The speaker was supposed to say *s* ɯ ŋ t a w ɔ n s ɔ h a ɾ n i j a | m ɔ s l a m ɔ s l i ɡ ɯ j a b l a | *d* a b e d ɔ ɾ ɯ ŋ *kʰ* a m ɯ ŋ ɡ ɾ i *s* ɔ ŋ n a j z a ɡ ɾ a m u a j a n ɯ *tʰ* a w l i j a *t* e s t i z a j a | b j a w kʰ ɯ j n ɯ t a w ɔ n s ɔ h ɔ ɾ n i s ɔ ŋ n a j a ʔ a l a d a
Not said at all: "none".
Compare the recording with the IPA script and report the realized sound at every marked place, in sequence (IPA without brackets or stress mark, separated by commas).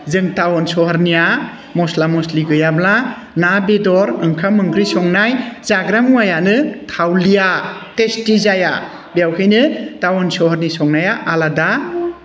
z, n, kʰ, s, tʰ, t